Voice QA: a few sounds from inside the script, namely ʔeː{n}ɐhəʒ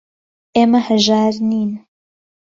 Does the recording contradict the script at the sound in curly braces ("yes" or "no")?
yes